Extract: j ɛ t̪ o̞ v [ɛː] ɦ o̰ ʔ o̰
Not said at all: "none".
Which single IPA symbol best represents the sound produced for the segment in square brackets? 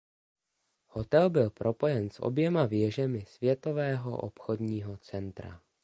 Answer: ɛː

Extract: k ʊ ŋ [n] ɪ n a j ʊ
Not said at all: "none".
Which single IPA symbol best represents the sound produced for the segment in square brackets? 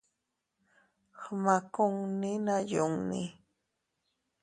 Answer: n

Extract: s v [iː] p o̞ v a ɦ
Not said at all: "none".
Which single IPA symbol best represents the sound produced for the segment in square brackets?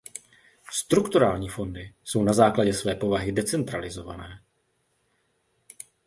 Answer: ɛː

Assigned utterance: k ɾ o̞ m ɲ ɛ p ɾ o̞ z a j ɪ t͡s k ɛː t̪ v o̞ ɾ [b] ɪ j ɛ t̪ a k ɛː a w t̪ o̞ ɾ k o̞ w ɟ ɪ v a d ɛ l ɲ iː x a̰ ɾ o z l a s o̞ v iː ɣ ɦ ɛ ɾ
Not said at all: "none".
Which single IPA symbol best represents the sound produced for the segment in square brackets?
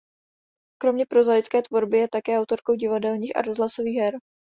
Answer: b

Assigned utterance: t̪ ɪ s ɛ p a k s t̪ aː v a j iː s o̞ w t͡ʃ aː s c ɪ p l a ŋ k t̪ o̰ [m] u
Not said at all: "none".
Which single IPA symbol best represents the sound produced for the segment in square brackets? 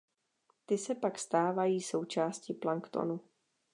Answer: n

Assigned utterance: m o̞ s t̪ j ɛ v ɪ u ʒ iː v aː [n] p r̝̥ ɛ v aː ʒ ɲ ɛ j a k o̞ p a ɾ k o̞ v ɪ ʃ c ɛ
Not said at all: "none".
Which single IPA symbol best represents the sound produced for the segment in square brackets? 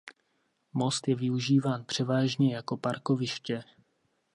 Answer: n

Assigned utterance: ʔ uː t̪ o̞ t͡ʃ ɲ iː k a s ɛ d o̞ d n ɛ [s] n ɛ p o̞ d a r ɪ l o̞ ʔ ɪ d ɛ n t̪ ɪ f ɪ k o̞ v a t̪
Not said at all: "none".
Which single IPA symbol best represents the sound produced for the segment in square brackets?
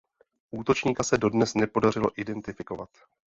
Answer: s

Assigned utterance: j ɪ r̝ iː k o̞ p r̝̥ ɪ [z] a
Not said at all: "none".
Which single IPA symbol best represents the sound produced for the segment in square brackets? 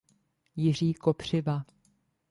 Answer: v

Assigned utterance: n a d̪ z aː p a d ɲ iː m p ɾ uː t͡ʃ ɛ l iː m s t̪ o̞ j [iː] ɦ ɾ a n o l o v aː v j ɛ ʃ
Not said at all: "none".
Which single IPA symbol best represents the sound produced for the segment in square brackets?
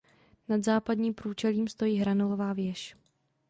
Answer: iː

